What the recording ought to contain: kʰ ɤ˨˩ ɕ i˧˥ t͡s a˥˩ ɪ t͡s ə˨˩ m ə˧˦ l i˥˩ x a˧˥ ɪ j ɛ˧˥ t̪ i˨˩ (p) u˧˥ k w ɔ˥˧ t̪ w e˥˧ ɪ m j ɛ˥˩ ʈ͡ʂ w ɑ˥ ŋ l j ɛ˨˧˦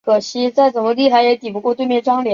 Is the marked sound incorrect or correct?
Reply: correct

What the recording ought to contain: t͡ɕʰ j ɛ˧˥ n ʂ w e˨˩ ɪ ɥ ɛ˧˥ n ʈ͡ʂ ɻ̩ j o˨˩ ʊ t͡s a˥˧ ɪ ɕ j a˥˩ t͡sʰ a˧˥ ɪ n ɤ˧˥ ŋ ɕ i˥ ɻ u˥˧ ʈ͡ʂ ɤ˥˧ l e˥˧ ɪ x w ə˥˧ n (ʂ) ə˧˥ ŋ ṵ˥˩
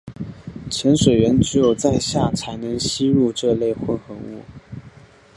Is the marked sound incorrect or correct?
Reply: incorrect: x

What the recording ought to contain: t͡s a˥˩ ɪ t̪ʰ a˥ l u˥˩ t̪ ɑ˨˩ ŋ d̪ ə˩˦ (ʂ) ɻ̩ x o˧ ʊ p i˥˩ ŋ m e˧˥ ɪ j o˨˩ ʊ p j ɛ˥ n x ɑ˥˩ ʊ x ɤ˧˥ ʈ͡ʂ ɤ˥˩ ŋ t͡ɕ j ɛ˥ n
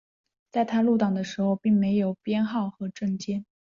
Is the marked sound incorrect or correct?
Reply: correct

